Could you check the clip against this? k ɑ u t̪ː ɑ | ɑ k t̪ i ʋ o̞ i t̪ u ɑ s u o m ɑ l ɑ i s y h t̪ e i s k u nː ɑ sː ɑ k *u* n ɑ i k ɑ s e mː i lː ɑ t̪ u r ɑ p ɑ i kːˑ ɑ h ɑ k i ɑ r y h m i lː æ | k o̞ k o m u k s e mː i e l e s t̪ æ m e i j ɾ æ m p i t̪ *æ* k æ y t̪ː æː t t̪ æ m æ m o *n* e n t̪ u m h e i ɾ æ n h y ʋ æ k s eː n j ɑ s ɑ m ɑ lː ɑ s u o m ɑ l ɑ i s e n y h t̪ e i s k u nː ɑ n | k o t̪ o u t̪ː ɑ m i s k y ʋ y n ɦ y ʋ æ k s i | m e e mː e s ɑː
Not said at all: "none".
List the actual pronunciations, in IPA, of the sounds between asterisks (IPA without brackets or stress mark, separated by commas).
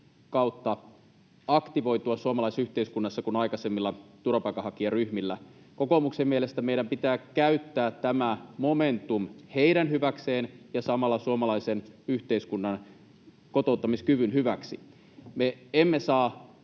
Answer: u, æː, m